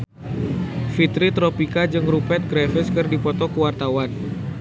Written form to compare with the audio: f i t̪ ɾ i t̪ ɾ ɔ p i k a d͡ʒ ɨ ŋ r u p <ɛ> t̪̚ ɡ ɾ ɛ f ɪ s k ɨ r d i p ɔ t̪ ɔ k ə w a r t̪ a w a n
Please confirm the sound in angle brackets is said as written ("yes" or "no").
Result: yes